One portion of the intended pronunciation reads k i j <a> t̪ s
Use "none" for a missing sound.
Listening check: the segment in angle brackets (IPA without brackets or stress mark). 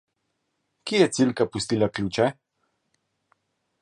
ɛ